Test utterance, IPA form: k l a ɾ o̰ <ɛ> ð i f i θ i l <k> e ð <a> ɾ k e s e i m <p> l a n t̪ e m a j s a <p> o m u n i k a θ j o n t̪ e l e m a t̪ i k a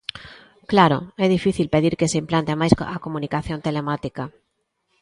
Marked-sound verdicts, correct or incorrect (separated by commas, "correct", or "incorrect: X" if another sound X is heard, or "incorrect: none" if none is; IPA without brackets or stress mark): correct, incorrect: p, incorrect: i, correct, incorrect: k